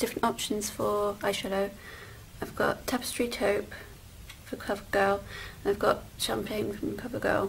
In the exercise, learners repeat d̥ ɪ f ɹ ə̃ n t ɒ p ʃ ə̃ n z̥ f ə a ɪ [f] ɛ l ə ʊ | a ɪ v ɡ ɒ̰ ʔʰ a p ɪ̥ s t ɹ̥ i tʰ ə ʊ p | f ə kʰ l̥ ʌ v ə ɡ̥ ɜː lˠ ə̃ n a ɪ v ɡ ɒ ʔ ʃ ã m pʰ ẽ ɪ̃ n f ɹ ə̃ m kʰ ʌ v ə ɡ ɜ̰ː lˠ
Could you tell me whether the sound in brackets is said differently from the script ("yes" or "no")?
yes